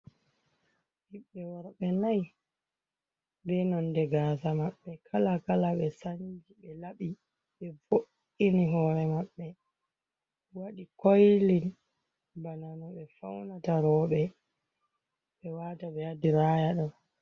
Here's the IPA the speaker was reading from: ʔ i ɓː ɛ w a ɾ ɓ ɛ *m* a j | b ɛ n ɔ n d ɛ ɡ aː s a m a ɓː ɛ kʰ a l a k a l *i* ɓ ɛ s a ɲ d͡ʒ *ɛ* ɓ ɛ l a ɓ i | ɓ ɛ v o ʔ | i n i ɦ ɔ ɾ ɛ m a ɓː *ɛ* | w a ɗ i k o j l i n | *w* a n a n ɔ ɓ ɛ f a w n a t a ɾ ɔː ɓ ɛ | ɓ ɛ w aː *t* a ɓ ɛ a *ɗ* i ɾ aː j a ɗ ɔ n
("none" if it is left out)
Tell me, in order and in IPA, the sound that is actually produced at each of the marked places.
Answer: n, a, i, ɛ, b, t, d

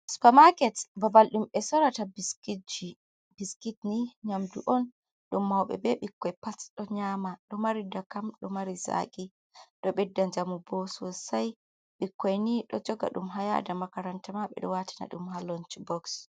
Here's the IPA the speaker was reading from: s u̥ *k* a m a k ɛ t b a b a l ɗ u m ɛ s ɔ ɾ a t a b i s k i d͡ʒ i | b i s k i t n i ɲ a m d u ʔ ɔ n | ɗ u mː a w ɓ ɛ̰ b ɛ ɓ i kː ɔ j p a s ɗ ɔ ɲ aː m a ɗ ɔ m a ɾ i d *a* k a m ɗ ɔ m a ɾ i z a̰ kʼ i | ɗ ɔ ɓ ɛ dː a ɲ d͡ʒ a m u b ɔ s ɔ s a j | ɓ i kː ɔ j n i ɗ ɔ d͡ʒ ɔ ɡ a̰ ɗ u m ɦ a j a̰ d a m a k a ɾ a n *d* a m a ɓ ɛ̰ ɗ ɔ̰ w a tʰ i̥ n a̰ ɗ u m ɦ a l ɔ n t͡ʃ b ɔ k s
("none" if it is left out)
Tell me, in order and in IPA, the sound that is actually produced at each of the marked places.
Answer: p, a, t

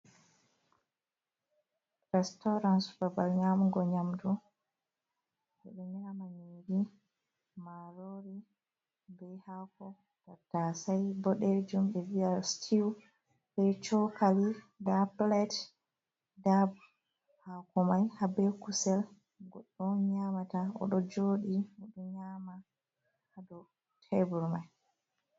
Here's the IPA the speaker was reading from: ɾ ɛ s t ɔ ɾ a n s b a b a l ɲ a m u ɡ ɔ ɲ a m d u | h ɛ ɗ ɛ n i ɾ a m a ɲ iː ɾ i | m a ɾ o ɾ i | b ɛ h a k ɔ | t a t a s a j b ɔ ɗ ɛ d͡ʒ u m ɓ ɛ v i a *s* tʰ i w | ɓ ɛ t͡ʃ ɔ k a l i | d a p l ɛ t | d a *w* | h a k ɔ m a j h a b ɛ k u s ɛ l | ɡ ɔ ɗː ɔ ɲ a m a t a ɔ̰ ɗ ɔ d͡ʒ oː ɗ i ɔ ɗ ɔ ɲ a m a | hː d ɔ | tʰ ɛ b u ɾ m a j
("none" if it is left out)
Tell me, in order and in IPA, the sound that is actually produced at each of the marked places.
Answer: s, b

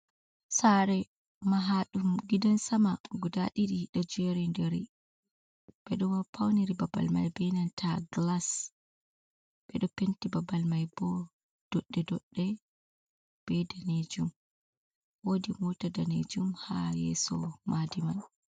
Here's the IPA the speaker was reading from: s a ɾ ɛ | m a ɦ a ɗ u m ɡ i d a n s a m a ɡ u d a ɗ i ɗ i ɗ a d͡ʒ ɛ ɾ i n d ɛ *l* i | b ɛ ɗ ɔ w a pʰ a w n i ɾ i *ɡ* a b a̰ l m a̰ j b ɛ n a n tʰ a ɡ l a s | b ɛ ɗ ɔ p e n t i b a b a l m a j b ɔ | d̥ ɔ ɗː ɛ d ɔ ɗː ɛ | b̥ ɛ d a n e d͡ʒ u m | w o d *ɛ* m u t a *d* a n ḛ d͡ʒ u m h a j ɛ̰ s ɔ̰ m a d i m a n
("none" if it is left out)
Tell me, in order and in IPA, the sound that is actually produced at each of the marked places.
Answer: ɾ, b, i, d

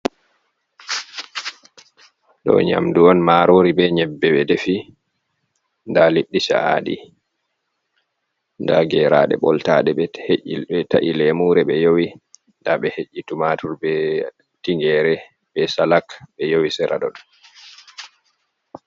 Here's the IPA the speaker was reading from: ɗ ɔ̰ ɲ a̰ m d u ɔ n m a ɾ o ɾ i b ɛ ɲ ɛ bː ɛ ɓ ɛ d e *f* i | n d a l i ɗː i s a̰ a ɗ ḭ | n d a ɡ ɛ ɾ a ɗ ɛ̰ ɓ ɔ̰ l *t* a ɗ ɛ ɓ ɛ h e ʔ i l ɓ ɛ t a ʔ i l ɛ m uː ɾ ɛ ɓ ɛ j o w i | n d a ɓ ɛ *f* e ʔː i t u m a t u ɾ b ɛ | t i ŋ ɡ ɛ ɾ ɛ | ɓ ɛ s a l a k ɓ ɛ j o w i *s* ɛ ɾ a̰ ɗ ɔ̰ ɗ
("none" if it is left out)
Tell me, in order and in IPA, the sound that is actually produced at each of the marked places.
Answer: f, t, h, s

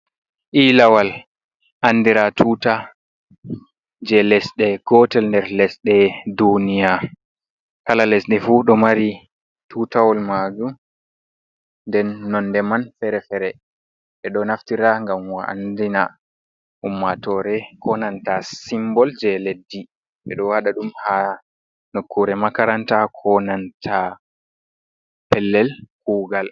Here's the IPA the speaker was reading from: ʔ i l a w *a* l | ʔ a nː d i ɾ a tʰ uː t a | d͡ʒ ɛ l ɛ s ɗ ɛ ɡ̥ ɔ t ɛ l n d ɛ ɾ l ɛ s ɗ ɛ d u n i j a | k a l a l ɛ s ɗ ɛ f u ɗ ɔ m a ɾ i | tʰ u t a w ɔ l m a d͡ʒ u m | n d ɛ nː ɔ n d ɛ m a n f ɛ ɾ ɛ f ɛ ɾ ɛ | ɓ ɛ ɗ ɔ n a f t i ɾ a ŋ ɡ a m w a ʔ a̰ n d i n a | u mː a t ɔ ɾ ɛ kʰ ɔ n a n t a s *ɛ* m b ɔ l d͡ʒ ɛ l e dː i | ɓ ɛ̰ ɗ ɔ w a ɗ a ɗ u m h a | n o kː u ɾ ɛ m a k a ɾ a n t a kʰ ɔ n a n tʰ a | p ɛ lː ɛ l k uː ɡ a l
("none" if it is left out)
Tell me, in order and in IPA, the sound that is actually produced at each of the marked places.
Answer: a, i

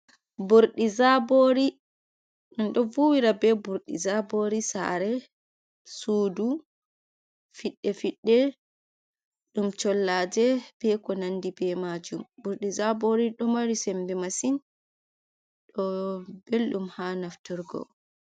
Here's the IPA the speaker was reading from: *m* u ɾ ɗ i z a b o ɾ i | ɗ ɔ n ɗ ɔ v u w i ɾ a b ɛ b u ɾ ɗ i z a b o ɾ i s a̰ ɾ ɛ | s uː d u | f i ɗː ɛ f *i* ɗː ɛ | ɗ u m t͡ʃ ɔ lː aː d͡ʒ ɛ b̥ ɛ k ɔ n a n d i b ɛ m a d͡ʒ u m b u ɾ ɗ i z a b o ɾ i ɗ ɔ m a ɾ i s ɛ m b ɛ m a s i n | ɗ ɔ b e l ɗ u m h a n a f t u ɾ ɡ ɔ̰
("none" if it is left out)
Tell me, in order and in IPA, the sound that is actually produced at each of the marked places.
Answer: b, i

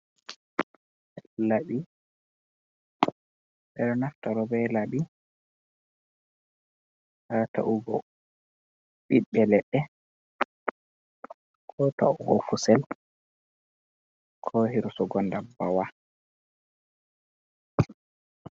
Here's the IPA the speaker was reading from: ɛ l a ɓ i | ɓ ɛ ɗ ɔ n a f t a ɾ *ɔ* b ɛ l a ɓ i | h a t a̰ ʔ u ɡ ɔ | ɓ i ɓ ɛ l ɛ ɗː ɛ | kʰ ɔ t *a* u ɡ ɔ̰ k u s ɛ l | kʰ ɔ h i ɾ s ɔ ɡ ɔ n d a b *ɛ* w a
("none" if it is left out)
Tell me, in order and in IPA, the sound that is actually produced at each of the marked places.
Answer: ɔ, a, a

